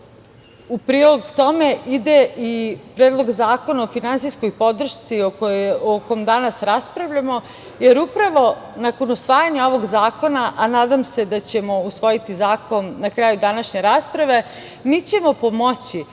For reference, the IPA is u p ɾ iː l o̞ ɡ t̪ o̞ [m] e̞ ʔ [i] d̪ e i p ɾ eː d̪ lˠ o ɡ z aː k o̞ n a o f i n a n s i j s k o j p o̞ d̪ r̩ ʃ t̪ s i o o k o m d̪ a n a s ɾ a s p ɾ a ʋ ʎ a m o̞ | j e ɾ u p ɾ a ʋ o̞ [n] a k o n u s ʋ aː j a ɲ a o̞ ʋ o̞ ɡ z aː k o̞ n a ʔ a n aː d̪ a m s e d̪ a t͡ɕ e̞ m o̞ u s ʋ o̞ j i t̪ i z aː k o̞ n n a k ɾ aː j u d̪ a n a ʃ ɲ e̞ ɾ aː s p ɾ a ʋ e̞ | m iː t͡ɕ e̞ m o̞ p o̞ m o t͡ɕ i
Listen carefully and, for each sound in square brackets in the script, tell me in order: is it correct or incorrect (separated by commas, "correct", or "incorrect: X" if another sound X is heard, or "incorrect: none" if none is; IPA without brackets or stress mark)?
correct, correct, correct